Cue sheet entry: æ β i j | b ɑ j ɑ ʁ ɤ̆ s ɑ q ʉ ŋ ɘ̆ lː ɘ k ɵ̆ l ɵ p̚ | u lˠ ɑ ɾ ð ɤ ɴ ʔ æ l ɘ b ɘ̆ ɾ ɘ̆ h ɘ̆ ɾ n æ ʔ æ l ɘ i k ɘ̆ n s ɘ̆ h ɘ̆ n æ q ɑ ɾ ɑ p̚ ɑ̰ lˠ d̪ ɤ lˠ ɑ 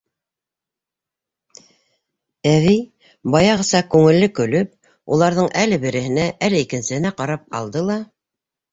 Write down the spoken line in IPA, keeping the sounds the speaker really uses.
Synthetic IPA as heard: æ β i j | b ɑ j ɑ ʁ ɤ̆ s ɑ k ʉ ŋ ɘ̆ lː ɘ k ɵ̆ l ɵ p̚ | u lˠ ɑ ɾ ð ɤ ɴ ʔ æ l ɘ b ɘ̆ ɾ ɘ̆ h ɘ̆ n æ ʔ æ l ɘ i k ɘ̆ n s ɘ̆ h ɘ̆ n æ q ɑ ɾ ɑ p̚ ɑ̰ lˠ d̪ ɤ lˠ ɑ